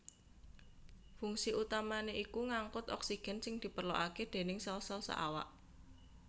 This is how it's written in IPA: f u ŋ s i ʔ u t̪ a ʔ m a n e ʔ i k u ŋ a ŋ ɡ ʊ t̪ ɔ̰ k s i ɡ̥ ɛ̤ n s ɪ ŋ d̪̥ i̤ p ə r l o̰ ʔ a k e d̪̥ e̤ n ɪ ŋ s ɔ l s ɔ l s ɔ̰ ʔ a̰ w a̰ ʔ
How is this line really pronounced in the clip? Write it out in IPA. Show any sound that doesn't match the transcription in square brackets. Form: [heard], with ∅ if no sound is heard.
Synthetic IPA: f u ŋ s i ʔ u t̪ a [∅] m a n e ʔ i k u ŋ a ŋ [k] ʊ t̪ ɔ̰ k s i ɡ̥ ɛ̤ n s ɪ ŋ d̪̥ i̤ p ə r l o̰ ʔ a k e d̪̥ e̤ n ɪ ŋ s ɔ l s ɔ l s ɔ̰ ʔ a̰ w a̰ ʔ

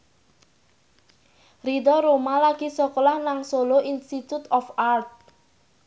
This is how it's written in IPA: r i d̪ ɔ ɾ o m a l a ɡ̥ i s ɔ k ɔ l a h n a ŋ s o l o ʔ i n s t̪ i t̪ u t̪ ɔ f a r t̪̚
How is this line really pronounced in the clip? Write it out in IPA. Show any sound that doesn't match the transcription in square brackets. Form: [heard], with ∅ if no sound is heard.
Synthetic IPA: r i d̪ ɔ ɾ o m a l a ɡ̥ i s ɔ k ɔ l a h n a ŋ s o l o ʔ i n s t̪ i t̪ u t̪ ɔ f a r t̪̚

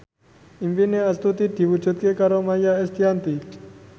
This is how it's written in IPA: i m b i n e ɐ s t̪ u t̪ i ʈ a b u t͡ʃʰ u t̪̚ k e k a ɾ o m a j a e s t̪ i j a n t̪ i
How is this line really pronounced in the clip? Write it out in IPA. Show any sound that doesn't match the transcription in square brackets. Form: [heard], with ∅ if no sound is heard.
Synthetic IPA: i m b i n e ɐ s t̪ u t̪ i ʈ [i] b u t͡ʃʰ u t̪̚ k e k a ɾ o m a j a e s t̪ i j a n t̪ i

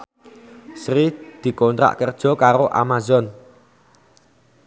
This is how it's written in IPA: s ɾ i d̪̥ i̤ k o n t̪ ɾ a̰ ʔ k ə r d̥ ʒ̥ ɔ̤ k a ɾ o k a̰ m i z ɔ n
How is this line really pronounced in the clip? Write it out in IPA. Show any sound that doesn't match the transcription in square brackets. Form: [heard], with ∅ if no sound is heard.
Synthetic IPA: s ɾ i d̪̥ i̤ k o n t̪ ɾ a̰ ʔ k ə r d̥ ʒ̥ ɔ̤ k a ɾ o [ʔ] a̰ m [a] z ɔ n

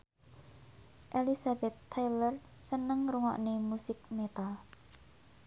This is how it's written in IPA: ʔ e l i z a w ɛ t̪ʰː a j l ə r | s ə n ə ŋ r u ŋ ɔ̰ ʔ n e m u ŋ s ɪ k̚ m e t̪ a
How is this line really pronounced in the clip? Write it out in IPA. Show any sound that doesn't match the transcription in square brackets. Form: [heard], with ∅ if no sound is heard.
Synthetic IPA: ʔ e l i [s] a [b] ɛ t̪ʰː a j l ə r | s ə n ə ŋ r u ŋ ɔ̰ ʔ n e m u [∅] s ɪ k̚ m e t̪ a

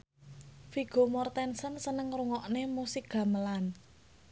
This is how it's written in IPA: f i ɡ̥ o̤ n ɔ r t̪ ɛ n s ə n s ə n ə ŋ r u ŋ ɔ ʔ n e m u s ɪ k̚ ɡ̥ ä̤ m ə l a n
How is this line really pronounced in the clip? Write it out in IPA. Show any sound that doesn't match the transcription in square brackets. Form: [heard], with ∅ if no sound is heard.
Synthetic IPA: f i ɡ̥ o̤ [m] ɔ r t̪ ɛ n s ə n s ə n ə ŋ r u ŋ ɔ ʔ n e m u s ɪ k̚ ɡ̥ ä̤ m ə l a n

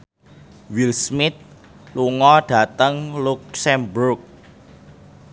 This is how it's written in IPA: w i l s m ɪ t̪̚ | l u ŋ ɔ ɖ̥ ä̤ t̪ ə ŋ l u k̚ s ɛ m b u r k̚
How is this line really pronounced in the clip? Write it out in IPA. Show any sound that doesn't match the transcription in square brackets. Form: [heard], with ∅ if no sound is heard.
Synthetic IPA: w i l s m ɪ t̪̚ | l u ŋ ɔ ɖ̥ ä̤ t̪ ə ŋ l u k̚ s ɛ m b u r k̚

